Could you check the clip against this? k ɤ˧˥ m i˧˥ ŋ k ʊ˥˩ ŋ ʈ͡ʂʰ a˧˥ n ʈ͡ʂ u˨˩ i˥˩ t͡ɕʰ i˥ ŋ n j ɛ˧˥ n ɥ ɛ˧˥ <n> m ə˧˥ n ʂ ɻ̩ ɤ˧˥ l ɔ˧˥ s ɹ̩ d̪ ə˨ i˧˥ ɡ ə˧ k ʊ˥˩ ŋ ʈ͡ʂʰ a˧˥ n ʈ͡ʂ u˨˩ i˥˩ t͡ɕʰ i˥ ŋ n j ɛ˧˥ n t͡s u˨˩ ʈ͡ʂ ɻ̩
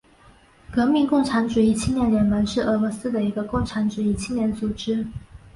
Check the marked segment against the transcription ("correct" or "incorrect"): correct